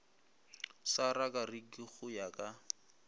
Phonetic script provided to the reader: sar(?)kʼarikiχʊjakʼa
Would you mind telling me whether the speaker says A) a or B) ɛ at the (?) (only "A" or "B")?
A